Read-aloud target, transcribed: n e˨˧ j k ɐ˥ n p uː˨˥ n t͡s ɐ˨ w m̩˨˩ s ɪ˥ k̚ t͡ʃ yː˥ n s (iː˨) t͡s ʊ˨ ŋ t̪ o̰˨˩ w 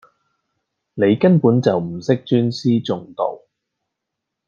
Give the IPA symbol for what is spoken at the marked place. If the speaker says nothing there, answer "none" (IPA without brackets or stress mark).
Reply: iː˥